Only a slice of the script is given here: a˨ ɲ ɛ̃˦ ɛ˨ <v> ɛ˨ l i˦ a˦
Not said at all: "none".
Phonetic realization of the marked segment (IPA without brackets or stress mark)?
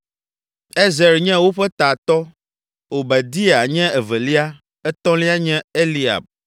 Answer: v